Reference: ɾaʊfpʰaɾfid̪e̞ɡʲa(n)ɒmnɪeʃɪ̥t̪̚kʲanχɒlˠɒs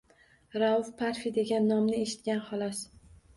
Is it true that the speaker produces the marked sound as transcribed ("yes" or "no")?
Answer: no